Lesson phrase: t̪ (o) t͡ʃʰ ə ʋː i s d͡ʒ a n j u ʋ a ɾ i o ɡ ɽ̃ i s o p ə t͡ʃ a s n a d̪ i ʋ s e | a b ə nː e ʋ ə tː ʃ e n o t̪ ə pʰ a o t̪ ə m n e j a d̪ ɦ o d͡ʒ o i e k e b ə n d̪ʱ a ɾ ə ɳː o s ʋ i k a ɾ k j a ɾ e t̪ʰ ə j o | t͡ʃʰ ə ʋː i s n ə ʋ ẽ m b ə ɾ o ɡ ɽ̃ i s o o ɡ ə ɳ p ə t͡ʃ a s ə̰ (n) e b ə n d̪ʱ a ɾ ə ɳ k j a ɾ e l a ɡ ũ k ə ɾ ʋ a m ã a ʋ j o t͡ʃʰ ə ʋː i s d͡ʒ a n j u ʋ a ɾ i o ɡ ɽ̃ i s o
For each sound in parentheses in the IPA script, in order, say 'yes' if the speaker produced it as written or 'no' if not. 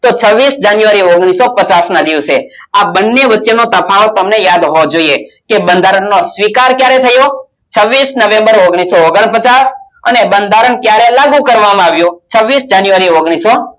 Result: yes, yes

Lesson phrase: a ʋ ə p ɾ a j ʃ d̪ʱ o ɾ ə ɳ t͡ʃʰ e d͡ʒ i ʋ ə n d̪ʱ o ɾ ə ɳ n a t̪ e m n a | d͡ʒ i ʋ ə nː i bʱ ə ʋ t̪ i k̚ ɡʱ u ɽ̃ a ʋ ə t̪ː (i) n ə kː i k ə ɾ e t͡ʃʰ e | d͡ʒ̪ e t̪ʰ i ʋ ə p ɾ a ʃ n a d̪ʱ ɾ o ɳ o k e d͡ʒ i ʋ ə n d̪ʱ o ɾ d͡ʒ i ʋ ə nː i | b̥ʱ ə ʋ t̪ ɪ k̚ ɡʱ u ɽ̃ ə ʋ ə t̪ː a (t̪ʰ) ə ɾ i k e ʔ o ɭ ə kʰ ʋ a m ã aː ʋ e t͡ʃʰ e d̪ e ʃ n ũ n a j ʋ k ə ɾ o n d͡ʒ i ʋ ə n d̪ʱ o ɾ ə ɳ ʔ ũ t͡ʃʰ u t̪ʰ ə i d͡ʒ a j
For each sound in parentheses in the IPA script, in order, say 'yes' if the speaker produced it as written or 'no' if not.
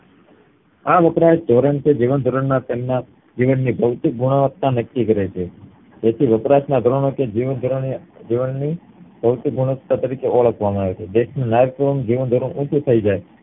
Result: no, no

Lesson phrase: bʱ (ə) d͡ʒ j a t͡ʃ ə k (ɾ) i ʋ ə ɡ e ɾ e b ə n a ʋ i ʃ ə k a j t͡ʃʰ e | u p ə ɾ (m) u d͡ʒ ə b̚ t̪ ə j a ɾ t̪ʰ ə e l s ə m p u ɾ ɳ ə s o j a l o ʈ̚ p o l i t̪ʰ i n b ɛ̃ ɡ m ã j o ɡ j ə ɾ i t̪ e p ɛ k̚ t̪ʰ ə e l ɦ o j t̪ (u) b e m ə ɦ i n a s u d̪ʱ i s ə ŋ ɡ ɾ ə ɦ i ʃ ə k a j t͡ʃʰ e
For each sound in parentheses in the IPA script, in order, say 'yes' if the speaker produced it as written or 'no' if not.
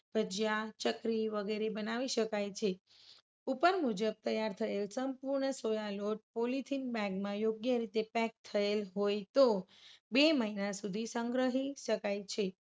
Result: yes, yes, yes, no

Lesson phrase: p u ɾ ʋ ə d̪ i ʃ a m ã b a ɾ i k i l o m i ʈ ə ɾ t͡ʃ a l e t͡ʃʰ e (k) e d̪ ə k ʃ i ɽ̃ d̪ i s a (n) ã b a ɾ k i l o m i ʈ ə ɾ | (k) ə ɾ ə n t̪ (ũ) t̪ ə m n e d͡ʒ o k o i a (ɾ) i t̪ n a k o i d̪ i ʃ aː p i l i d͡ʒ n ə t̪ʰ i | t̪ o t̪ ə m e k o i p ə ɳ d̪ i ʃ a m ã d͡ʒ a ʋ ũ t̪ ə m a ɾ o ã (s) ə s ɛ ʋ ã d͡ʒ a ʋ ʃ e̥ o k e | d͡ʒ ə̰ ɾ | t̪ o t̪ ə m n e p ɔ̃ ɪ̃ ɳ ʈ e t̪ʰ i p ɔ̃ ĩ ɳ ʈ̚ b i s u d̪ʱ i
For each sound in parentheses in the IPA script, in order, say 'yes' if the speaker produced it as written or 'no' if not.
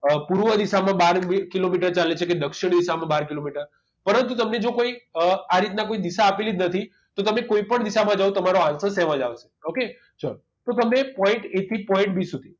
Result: yes, no, no, no, yes, yes

